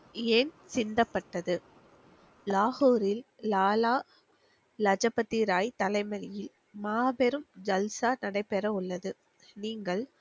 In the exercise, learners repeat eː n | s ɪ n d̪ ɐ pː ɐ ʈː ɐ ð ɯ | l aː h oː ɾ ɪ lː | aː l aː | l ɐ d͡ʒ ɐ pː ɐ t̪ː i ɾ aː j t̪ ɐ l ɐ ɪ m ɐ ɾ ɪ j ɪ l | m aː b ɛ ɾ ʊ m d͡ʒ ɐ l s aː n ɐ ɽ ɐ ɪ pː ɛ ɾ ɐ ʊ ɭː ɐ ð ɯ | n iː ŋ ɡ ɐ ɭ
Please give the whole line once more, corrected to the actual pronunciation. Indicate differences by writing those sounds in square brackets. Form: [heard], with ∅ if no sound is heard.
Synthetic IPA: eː n | s ɪ n d̪ ɐ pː ɐ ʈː ɐ ð ɯ | l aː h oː ɾ ɪ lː | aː l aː | l ɐ d͡ʒ ɐ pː ɐ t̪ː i ɾ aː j t̪ ɐ l ɐ ɪ m ɐ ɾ ɪ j ɪ l | m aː b ɛ ɾ [ɯ] m d͡ʒ ɐ l s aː n ɐ ɽ ɐ ɪ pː ɛ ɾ ɐ ʊ ɭː ɐ ð ɯ | n iː ŋ ɡ ɐ ɭ